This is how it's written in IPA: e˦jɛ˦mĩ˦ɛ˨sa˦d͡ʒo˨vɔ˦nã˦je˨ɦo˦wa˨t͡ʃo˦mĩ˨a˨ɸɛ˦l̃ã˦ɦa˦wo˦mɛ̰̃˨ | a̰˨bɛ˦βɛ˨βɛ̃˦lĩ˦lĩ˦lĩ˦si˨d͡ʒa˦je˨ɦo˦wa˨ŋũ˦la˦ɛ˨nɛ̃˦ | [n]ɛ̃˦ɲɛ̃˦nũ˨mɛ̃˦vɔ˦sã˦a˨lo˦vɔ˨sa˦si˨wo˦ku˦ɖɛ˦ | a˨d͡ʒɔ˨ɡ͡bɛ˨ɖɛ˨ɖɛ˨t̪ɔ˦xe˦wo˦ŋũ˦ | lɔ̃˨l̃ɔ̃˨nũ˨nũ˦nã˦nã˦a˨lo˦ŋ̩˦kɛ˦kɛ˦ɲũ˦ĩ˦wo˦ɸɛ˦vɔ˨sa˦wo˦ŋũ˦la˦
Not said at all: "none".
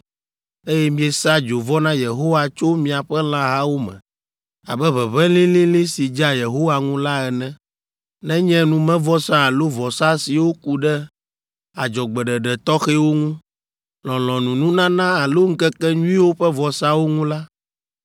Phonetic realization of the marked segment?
n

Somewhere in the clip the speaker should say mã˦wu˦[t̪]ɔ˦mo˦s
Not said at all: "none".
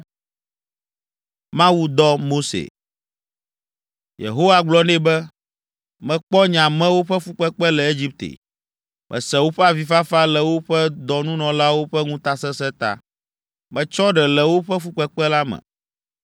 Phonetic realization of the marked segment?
d̪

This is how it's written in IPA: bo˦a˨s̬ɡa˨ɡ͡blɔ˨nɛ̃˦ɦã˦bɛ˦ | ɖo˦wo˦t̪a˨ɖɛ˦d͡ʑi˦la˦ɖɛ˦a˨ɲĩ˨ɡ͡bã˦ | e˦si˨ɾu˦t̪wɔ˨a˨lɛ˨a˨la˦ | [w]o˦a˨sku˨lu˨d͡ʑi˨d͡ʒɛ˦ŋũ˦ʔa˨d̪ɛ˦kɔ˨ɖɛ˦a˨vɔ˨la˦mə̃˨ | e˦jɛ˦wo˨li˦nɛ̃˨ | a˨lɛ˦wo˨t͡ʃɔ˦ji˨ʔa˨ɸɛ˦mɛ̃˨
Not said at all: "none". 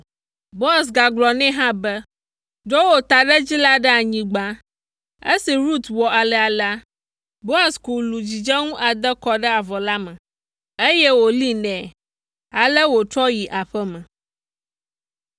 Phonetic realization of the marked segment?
b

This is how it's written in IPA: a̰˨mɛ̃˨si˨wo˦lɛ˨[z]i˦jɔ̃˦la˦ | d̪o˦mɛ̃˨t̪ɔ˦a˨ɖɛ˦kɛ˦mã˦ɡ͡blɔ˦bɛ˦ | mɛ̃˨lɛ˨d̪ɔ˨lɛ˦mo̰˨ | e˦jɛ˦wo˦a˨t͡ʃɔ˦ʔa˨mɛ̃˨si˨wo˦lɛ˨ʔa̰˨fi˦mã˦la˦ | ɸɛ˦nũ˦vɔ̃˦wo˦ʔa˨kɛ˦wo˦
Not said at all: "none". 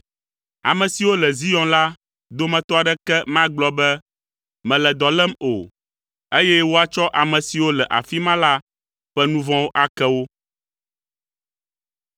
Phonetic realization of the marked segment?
z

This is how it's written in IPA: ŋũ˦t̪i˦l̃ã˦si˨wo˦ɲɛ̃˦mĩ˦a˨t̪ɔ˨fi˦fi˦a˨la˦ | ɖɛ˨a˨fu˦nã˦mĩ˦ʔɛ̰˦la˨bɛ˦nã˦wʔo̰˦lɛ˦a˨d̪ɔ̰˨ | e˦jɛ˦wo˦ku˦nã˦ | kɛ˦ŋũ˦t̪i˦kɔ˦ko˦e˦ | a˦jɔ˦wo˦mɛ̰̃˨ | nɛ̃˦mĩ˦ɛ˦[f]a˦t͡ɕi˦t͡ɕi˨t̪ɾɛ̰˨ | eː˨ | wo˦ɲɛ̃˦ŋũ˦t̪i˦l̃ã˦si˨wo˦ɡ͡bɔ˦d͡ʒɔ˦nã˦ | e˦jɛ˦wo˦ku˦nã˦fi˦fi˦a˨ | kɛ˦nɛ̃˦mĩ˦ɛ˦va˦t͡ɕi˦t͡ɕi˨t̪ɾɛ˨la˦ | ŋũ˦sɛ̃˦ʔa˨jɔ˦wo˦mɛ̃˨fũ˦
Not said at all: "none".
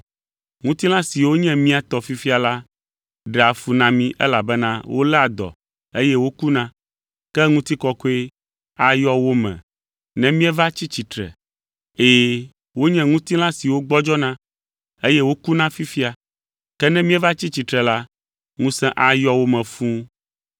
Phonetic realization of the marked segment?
v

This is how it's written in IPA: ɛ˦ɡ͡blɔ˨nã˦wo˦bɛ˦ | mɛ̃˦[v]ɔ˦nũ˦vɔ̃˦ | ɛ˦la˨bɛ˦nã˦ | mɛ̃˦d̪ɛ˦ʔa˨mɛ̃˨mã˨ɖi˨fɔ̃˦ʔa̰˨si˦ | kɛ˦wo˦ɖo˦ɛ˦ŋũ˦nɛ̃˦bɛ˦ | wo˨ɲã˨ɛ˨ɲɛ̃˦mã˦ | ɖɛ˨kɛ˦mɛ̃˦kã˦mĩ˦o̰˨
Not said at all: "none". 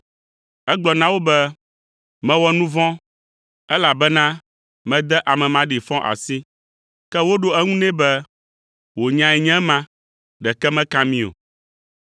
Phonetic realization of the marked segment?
w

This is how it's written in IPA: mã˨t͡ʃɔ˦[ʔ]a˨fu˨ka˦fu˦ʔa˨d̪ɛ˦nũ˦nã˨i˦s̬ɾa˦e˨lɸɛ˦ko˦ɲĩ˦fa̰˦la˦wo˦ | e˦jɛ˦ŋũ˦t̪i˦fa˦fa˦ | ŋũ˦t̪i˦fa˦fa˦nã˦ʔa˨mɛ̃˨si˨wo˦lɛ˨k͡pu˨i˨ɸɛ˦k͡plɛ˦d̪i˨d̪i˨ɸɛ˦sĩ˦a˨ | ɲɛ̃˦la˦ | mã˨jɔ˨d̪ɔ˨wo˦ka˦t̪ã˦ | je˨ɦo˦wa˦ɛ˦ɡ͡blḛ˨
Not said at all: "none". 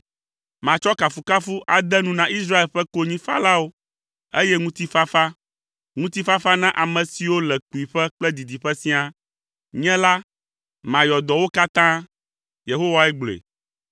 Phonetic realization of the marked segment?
k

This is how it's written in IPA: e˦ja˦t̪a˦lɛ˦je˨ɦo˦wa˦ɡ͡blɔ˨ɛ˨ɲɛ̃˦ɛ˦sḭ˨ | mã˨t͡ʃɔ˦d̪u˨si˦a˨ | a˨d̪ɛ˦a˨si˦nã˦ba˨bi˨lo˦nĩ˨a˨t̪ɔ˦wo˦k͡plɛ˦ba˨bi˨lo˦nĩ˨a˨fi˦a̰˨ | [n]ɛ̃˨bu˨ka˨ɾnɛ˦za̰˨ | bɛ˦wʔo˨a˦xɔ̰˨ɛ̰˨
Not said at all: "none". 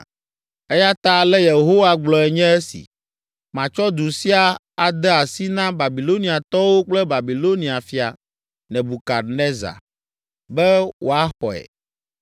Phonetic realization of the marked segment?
n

